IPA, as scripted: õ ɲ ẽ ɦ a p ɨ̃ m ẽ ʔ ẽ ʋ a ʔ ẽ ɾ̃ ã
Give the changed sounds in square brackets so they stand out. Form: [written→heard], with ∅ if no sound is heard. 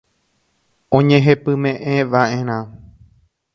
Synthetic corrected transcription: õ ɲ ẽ ɦ [a→e] p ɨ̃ m ẽ ʔ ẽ ʋ a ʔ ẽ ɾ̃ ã